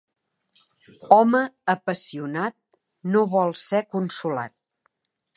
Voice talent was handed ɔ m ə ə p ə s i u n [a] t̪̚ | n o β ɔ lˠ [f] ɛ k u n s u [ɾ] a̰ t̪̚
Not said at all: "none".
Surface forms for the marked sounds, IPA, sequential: a, s, l

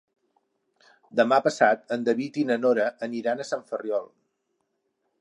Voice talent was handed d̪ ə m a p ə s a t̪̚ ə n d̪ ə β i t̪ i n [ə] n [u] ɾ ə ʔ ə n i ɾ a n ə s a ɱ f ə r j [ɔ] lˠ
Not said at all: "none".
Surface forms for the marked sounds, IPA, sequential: ə, o, ɔ

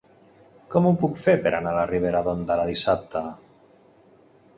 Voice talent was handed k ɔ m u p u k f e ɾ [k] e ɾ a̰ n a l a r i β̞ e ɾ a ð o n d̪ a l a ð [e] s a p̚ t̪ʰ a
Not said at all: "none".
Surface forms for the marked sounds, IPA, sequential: p, i

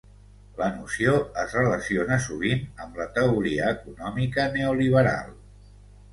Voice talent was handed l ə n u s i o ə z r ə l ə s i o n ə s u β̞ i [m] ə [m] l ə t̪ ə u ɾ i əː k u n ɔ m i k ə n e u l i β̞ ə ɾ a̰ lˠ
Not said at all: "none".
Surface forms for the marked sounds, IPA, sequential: n, m

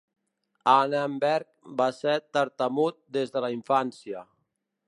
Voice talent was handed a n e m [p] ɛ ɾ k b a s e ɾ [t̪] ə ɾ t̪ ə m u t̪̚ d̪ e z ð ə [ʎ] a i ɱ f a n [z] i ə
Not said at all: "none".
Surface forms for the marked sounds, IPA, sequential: b, t̪, l, s

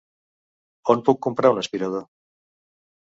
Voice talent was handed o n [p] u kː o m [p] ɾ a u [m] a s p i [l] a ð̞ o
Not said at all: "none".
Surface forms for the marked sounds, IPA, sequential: p, p, n, ɾ

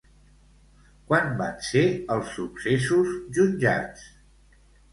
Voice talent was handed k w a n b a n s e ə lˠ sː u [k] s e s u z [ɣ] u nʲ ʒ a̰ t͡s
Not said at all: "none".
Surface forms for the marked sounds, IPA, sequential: k, ʒ

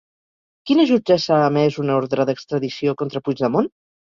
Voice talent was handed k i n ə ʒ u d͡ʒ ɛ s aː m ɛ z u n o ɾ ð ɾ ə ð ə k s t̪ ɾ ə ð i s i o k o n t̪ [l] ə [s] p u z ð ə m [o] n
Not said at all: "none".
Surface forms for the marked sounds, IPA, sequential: ɾ, none, o

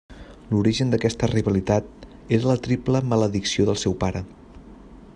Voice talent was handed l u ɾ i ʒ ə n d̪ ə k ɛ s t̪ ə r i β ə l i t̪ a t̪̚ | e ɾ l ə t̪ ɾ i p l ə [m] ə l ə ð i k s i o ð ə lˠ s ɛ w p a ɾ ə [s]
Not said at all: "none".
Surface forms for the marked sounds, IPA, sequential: m, none

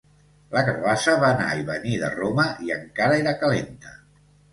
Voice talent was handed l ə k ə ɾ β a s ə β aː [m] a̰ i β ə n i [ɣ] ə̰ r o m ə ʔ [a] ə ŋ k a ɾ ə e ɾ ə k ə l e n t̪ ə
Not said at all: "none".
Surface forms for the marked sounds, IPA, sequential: n, ð, i

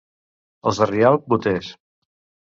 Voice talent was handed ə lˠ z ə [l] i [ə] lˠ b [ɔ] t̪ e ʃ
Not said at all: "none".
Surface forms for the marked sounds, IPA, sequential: r, a, u

